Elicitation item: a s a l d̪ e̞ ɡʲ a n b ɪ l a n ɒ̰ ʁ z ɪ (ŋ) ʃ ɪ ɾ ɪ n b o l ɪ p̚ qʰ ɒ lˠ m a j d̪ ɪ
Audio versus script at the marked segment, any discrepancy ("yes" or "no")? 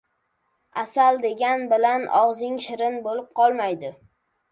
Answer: no